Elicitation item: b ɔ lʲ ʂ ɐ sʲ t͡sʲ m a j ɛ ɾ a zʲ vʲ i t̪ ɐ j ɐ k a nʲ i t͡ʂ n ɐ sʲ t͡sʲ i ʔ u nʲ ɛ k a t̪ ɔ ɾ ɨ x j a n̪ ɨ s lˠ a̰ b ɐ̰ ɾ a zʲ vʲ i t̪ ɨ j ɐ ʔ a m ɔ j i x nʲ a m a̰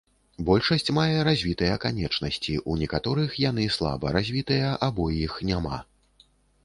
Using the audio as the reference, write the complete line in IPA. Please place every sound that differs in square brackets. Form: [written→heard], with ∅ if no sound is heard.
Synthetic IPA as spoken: b ɔ lʲ ʂ ɐ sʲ t͡sʲ m a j ɛ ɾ a zʲ vʲ i t̪ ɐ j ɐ k a nʲ [i→ɛ] t͡ʂ n ɐ sʲ t͡sʲ i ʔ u nʲ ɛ k a t̪ ɔ ɾ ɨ x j a n̪ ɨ s lˠ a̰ b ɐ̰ ɾ a zʲ vʲ i t̪ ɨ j ɐ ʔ a [m→b] ɔ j i x nʲ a m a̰